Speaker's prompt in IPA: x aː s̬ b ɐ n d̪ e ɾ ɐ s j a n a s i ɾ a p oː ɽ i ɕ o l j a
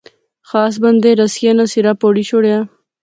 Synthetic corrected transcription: x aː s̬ b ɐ n d̪ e ɾ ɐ s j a n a s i ɾ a p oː ɽ i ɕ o ɽ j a